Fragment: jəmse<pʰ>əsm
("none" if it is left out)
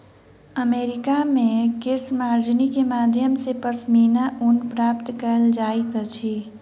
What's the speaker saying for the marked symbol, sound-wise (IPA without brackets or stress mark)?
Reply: p